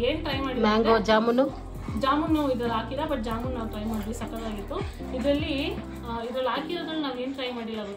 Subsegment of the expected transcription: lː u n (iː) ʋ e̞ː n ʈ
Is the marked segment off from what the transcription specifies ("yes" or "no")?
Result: yes